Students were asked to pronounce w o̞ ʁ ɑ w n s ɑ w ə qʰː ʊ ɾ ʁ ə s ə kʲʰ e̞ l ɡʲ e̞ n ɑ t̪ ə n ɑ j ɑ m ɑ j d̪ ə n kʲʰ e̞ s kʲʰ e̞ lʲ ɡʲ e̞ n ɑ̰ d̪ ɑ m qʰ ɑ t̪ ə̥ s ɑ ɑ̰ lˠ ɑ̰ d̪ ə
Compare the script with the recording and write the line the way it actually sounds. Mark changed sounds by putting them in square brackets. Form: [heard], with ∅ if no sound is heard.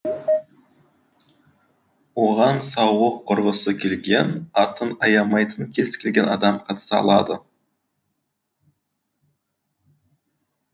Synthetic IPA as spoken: w o̞ ʁ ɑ [∅] n s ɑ w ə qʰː ʊ ɾ ʁ ə s ə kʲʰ e̞ l ɡʲ e̞ n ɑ t̪ ə n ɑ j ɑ m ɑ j [t̪] ə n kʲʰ e̞ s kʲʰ e̞ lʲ ɡʲ e̞ n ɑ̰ d̪ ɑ m qʰ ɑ t̪ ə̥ s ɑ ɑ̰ lˠ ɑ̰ d̪ ə

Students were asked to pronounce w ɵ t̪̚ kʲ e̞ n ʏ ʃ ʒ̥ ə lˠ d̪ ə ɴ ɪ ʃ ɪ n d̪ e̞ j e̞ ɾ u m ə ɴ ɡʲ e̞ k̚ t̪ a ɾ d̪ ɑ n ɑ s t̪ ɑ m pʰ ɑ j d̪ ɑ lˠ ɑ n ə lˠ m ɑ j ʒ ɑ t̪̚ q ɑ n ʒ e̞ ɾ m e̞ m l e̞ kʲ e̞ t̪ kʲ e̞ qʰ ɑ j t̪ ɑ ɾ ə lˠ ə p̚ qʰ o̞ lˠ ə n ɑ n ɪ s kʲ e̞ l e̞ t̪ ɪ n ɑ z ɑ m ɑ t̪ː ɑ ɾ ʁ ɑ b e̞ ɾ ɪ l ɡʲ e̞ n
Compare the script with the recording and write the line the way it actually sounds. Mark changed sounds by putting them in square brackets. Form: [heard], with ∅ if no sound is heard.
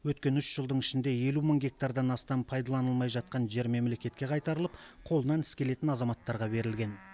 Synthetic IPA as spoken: w ɵ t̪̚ kʲ e̞ n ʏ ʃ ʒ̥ ə lˠ d̪ ə ɴ ɪ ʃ ɪ n d̪ e̞ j e̞ [l] u m ə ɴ ɡʲ e̞ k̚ t̪ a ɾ d̪ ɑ n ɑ s t̪ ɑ m pʰ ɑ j d̪ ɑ lˠ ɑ n ə lˠ m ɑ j ʒ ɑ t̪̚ q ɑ n ʒ e̞ ɾ m e̞ m l e̞ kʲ e̞ t̪ kʲ e̞ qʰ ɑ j t̪ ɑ ɾ ə lˠ ə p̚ qʰ o̞ lˠ ə n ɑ n ɪ s kʲ e̞ l e̞ t̪ ɪ n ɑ z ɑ m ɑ t̪ː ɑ ɾ ʁ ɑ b e̞ ɾ ɪ l ɡʲ e̞ n

